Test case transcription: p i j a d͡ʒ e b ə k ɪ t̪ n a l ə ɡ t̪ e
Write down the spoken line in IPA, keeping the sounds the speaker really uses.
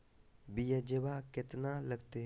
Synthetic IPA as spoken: b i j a d͡ʒ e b a k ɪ t̪ n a l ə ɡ t̪ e

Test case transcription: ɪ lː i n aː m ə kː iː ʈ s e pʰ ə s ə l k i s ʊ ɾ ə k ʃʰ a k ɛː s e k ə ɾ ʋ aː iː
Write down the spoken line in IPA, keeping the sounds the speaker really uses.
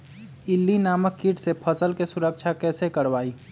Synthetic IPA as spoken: ɪ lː i n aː m ə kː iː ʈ s e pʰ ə s ə l k e s ʊ ɾ ə k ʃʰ a k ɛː s e k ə ɾ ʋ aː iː

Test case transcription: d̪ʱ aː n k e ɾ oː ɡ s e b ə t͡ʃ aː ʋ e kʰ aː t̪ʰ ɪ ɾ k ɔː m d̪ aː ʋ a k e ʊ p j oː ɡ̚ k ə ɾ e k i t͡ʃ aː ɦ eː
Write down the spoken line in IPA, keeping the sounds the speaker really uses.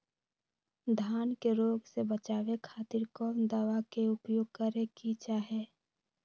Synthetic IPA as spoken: d̪ʱ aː n k e ɾ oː ɡ s e b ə t͡ʃ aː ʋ e kʰ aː t̪ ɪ ɾ k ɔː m d̪ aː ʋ a k e ʊ p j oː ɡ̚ k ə ɾ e k i t͡ʃ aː ɦ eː

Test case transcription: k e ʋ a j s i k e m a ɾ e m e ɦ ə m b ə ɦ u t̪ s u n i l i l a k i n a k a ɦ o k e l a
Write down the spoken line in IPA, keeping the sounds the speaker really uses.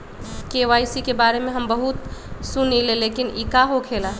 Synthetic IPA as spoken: k e ʋ a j s i k e b a ɾ e m e ɦ ə m b ə ɦ u t̪ s u n i l e l e k i n i k a ɦ o kʰ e l a

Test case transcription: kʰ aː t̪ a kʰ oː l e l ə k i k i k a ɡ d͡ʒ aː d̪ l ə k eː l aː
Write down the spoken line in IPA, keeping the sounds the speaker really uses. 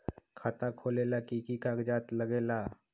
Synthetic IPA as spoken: kʰ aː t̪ a kʰ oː l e l a k i k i k a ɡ d͡ʒ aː t̪ l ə ɡ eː l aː

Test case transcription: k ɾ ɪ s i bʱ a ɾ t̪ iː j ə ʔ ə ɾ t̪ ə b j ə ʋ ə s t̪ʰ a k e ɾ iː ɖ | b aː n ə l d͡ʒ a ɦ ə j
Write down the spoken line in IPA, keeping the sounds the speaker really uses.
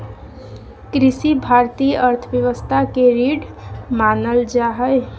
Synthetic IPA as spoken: k ɾ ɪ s i bʱ a ɾ t̪ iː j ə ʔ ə ɾ t̪ʰ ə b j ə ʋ ə s t̪ʰ a k e ɾ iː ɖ | m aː n ə l d͡ʒ a ɦ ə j

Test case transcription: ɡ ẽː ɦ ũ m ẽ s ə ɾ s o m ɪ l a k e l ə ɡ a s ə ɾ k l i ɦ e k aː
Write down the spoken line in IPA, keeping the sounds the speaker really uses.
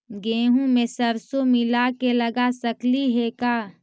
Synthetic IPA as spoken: ɡ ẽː ɦ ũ m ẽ s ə ɾ s o m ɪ l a k e l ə ɡ a s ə k l i ɦ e k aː

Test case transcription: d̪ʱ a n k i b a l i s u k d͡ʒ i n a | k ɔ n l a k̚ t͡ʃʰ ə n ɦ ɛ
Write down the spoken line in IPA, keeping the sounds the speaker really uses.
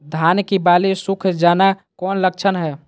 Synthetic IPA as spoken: d̪ʱ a n k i b a l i s u kʰ d͡ʒ a n a | k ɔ n l ə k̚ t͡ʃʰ ə n ɦ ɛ

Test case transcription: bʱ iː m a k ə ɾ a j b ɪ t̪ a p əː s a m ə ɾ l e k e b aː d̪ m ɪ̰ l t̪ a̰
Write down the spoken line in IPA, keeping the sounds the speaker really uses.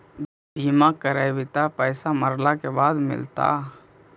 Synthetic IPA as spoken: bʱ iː m a k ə ɾ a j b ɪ t̪ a p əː s a m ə ɾ l a k e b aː d̪ m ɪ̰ l t̪ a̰

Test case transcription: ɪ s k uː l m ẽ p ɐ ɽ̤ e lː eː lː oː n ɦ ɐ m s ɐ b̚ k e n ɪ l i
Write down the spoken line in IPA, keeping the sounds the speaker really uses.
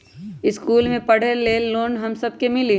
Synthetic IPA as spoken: ɪ s k uː l m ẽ p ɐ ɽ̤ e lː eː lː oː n ɦ ɐ m s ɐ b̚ k e m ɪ l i

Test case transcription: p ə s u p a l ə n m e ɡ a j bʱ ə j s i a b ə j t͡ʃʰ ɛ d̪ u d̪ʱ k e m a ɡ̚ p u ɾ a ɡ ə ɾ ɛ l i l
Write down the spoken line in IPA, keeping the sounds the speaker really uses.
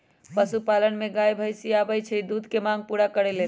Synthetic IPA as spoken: p ə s u p a l ə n m e ɡ a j bʱ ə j s i a b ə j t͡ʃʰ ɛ d̪ u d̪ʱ k e m a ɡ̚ p u ɾ a k ə ɾ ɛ l e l

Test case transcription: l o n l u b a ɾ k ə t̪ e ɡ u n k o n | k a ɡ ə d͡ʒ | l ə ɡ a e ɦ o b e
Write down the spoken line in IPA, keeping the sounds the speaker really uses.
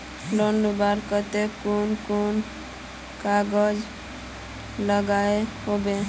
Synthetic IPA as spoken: l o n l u b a ɾ k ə t̪ e k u n k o n | k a ɡ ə d͡ʒ | l ə ɡ a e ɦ o b e

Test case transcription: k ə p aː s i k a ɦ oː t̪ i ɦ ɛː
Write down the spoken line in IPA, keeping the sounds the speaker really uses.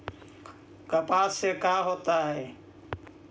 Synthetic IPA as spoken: k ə p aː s e k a ɦ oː t̪ a ɦ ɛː

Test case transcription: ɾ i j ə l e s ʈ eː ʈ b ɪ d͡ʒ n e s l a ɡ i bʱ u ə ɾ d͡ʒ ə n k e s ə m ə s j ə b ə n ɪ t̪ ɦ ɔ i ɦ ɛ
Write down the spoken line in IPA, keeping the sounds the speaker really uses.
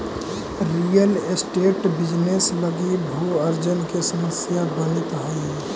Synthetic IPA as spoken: ɾ i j ə l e s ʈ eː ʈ b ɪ d͡ʒ n e s l ə ɡ i bʱ u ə ɾ d͡ʒ ə n k e s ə m ə s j a b ə n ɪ t̪ ɦ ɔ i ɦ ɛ

